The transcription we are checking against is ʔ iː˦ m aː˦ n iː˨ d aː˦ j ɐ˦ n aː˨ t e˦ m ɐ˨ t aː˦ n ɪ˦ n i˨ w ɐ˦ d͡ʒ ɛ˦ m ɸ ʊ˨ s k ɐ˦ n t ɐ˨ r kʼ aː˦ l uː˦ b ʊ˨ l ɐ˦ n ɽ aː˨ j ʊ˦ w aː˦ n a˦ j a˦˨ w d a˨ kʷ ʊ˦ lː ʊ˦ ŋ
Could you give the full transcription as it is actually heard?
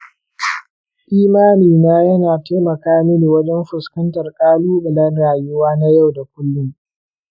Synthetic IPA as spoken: ʔ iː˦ m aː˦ n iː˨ n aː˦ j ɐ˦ n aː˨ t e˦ m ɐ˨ k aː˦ m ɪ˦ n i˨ w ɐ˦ d͡ʒ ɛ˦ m ɸ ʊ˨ s k ɐ˦ n t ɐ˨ r kʼ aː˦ l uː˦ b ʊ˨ l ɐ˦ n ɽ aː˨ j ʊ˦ w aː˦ n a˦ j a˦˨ w d a˨ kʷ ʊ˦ lː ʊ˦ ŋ